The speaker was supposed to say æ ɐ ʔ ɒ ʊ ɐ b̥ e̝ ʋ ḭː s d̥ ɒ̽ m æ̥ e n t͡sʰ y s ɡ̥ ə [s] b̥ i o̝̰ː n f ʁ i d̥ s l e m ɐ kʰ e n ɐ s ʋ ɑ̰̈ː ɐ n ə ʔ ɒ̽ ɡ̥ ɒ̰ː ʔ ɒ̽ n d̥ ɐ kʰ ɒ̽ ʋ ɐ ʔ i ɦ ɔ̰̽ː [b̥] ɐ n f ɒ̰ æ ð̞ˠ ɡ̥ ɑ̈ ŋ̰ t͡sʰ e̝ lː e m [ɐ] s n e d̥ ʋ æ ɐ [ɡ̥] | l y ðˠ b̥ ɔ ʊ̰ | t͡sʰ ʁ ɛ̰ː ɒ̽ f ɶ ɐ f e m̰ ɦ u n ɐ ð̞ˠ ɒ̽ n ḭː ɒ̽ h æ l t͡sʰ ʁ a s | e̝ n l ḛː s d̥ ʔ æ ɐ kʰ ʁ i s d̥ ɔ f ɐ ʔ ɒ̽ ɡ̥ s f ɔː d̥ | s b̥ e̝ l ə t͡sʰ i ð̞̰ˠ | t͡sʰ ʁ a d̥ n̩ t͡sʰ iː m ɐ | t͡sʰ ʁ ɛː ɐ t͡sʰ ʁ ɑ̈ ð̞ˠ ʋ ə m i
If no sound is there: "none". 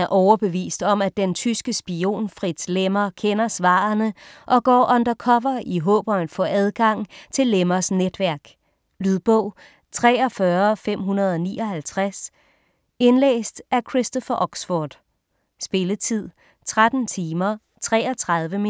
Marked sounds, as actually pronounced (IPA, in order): s, b̥, ɐ, ɡ̥

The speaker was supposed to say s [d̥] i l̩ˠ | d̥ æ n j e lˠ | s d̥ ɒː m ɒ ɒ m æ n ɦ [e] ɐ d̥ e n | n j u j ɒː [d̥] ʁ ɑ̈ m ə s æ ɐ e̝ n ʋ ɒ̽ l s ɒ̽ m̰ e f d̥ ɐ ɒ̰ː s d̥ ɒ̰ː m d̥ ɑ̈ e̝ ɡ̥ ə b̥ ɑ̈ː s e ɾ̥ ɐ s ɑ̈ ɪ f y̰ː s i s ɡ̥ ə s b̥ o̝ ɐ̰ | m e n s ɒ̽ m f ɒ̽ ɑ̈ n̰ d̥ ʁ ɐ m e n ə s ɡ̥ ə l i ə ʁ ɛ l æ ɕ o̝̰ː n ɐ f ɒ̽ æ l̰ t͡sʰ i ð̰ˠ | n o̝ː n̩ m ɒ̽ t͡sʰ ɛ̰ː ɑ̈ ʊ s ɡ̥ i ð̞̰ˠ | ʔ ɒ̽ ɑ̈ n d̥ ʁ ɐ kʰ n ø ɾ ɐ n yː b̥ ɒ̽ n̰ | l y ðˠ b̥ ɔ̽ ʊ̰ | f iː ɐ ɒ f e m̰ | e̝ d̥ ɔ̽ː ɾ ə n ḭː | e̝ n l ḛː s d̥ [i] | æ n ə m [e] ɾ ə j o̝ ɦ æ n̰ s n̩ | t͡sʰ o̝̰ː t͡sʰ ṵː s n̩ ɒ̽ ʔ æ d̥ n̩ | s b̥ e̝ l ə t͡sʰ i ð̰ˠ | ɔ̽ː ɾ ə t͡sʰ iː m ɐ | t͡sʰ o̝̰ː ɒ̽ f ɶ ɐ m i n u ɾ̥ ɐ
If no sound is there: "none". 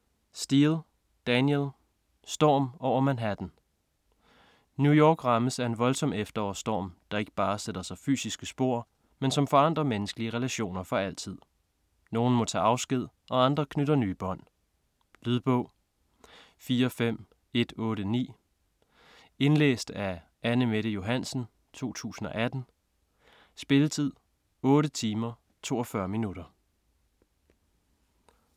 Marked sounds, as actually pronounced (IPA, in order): d̥, æ, ɡ̥, æ, e

